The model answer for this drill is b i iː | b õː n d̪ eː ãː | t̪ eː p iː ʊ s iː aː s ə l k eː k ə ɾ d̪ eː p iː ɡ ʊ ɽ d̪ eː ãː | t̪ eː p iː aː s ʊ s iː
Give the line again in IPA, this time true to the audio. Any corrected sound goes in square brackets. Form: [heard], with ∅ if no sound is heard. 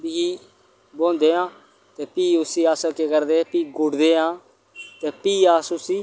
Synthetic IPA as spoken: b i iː | b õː n d̪ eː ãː | t̪ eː p iː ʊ s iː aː s ə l k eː k ə ɾ d̪ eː p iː ɡ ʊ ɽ d̪ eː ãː | t̪ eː p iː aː s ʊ s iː